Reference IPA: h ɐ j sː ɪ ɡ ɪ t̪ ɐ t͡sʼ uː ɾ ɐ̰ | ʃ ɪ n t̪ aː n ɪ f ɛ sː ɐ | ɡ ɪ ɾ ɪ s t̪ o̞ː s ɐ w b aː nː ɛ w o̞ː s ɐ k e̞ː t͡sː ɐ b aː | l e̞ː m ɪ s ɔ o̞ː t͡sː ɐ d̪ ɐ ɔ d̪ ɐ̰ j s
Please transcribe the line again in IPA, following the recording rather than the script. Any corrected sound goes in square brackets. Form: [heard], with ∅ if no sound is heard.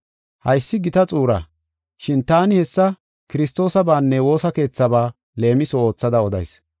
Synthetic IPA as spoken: h ɐ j sː ɪ ɡ ɪ t̪ ɐ t͡sʼ uː ɾ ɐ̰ | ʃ ɪ n t̪ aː n ɪ [h] ɛ sː ɐ | [k] ɪ ɾ ɪ s t̪ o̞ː s ɐ [∅] b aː nː ɛ w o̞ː s ɐ k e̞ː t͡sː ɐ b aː | l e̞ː m ɪ s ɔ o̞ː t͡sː ɐ d̪ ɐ ɔ d̪ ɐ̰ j s